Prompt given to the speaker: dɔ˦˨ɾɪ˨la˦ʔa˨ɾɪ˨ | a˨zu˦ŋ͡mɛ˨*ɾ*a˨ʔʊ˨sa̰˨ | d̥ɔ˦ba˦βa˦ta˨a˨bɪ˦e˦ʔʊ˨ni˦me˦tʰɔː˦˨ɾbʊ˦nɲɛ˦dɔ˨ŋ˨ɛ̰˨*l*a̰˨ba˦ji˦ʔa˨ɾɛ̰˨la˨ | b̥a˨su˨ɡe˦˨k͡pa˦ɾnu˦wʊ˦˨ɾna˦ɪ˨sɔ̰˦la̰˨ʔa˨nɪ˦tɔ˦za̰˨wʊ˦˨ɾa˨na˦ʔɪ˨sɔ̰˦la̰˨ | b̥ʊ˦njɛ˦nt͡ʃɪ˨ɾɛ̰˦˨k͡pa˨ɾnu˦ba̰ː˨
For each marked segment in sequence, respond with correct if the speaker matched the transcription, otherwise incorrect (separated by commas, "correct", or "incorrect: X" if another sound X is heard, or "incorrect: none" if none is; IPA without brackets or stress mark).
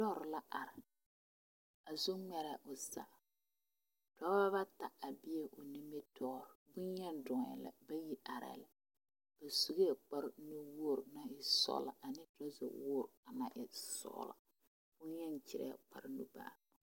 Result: correct, correct